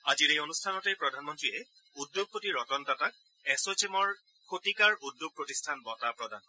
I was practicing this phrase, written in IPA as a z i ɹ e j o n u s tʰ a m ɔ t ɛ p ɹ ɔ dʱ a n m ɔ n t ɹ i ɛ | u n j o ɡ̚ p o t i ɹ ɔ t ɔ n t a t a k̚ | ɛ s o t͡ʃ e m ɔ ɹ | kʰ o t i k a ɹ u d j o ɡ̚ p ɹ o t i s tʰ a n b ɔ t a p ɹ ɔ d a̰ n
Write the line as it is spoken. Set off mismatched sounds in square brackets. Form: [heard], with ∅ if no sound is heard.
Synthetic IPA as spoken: a z i ɹ e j o n u s tʰ a [n] ɔ t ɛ p ɹ ɔ dʱ a n m ɔ n t ɹ i ɛ | u [d] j o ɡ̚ p o t i ɹ ɔ t ɔ n t a t a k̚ | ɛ s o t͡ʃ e m ɔ ɹ | kʰ o t i k a ɹ u d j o ɡ̚ p ɹ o t i s tʰ a n b ɔ t a p ɹ ɔ d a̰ n